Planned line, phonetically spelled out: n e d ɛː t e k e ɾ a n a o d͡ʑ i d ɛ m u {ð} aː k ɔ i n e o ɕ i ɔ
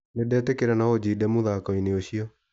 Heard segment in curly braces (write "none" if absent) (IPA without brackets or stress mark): ð